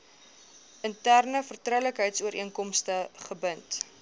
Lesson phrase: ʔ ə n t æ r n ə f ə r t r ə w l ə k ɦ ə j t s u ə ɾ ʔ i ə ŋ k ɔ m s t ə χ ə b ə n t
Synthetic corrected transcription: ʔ ə n t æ r n ə f ə r t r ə w l ə k ɦ ə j t s u ə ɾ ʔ i ə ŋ k ɔ m s t ə χ ə b ə n t